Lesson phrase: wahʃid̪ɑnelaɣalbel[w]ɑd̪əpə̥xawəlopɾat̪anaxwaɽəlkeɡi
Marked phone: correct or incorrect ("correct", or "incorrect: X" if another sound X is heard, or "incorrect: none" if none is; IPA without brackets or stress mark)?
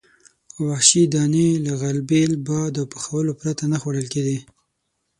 incorrect: b